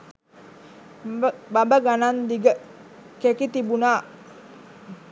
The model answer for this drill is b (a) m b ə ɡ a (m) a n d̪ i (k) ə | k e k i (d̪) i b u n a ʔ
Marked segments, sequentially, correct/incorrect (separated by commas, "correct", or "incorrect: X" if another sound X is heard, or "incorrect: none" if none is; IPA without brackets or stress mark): correct, incorrect: n, incorrect: ɡ, incorrect: t̪